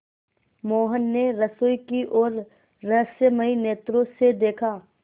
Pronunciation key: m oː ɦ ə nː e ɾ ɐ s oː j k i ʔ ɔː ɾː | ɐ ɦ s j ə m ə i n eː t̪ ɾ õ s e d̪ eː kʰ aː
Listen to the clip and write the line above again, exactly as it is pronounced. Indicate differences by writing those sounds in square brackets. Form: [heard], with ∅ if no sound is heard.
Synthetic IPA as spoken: m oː ɦ ə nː e ɾ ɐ s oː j k i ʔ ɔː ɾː | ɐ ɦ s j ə m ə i n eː t̪ ɾ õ s e d̪ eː kʰ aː